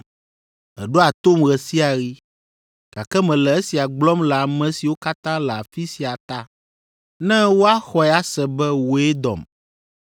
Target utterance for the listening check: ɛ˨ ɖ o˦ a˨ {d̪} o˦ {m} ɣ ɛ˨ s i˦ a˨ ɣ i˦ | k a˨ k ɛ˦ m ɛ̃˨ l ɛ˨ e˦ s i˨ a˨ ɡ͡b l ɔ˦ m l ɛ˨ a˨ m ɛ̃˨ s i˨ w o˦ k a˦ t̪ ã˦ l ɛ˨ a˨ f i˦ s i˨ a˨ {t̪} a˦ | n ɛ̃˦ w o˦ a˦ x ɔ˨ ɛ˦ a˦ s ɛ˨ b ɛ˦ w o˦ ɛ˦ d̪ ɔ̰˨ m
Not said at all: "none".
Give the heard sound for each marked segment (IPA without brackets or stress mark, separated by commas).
t̪, m, t̪